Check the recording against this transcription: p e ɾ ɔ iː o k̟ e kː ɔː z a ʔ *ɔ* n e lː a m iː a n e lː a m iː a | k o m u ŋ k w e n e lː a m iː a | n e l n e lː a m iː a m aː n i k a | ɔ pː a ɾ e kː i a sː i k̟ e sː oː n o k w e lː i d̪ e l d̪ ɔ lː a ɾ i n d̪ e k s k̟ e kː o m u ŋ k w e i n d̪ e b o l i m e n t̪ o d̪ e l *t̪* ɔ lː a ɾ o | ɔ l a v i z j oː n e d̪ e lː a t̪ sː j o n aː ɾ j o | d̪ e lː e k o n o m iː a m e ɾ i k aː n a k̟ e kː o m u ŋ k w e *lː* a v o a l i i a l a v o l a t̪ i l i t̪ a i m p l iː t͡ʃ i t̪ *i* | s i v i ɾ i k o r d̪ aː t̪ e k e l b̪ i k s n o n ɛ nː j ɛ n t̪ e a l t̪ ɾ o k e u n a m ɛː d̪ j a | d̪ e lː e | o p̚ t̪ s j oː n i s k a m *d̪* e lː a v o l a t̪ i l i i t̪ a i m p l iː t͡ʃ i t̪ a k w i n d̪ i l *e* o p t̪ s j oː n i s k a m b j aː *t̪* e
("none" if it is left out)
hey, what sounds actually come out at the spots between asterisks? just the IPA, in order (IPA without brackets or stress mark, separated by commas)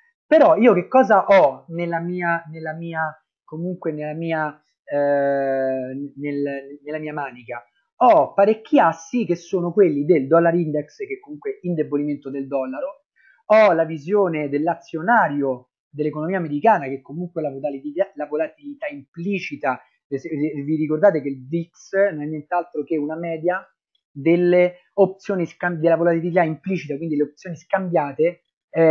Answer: ɔ, d̪, l, a, d̪, e, t̪